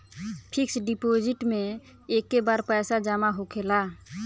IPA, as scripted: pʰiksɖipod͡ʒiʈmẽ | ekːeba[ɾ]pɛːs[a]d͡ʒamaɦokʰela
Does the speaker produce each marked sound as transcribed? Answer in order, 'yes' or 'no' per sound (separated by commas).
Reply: yes, yes